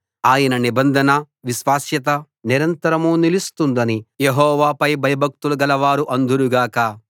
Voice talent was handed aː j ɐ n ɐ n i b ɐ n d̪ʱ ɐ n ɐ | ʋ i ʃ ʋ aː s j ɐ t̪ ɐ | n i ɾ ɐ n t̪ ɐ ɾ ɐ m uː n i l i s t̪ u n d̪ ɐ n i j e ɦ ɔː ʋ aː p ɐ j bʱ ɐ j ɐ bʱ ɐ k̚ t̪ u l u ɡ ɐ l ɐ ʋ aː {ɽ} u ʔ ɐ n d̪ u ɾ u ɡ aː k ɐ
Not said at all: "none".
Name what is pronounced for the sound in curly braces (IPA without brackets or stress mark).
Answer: ɾ